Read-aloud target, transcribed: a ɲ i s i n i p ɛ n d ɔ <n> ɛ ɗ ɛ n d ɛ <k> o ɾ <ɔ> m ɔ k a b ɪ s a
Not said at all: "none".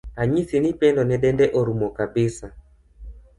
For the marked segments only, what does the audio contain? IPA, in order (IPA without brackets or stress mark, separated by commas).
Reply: n, ʔ, u